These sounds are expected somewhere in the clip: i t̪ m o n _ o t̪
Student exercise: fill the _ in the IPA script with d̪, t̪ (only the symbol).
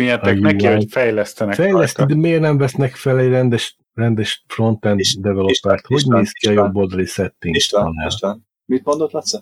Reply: d̪